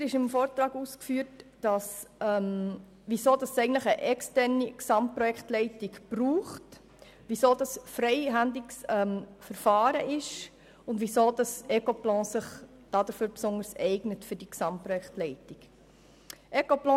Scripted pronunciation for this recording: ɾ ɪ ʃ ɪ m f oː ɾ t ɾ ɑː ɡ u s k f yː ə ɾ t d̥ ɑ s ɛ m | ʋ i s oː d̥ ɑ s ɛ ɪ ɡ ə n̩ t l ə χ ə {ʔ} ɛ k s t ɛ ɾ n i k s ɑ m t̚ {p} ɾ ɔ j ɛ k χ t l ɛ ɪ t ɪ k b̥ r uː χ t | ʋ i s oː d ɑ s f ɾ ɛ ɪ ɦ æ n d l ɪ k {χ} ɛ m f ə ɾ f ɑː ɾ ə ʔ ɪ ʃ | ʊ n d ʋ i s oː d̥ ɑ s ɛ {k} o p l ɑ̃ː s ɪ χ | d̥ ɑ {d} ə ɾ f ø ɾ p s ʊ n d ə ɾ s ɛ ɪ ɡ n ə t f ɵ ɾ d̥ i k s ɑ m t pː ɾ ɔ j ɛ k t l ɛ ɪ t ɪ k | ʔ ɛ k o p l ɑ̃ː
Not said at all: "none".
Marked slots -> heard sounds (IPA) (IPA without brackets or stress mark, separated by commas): ʔ, p, s, k, d